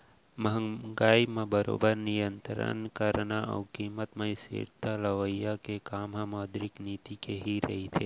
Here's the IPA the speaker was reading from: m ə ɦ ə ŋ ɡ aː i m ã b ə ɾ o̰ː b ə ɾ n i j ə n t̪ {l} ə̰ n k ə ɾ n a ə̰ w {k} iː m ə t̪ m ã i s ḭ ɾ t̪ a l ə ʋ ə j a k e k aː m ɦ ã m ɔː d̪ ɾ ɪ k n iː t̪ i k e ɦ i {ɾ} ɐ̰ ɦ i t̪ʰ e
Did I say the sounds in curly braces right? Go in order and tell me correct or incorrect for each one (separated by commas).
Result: incorrect, correct, correct